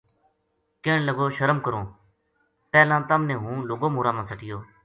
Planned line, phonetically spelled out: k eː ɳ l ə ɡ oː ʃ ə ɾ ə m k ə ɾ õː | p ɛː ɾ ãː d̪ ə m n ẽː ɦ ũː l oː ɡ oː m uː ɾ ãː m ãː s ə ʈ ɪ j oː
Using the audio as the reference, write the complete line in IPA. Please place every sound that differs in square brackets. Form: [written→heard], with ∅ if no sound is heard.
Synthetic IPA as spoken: k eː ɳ l ə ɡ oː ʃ ə ɾ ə m k ə ɾ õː | p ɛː [ɾ→l] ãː [d̪→t̪] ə m n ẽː ɦ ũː l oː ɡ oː m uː ɾ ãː m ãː s ə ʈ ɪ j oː